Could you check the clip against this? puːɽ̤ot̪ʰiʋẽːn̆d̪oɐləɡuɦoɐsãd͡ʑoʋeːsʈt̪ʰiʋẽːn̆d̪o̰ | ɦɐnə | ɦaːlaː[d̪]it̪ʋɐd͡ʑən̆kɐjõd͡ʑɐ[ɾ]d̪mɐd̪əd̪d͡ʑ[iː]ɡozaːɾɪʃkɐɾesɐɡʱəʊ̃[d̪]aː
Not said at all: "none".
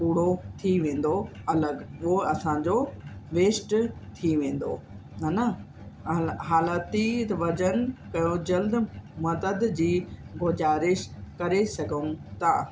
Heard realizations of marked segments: t̪, l, iː, t̪

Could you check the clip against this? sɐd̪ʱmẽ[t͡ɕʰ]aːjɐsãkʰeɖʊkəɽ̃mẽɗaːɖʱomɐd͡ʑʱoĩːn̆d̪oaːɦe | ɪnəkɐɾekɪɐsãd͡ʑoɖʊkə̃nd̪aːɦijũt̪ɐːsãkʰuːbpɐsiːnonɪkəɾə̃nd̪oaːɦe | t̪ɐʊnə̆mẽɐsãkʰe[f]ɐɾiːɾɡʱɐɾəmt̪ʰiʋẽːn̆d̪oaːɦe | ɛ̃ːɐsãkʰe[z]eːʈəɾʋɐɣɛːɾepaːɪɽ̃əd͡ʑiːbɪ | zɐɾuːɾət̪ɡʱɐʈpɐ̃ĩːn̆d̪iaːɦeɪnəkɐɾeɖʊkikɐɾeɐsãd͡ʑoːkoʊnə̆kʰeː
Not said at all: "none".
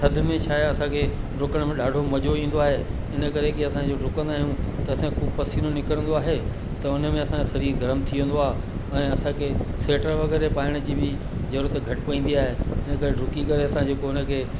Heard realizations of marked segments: t͡ɕʰ, s, s

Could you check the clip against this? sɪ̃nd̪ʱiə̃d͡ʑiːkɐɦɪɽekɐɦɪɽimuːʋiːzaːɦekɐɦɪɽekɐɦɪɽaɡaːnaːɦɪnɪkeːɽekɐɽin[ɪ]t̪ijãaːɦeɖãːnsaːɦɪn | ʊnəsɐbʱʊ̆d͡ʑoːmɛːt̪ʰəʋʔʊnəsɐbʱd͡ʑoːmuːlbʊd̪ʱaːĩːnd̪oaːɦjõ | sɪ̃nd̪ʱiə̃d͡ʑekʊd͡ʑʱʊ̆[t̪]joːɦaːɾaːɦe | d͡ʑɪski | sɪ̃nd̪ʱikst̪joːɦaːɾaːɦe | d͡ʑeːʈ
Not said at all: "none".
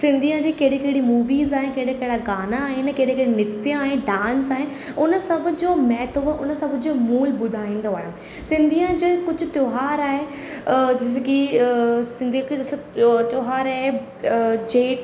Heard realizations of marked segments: ɪ, t̪

